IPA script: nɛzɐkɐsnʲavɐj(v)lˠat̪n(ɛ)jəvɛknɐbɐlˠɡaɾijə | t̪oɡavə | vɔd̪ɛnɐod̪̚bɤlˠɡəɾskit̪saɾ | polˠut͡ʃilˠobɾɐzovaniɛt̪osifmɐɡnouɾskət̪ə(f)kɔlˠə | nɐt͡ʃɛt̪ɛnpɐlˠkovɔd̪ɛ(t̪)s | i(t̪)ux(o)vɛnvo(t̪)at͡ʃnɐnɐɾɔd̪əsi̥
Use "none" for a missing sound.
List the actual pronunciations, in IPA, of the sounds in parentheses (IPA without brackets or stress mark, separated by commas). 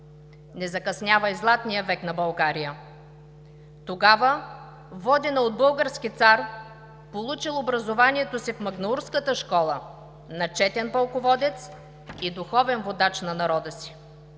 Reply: z, i, ʃ, t̪, d̪, ɔ, d̪